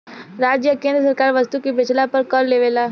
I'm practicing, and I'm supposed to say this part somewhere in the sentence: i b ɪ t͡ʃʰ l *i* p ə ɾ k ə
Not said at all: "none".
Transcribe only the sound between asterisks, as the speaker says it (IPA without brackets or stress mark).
a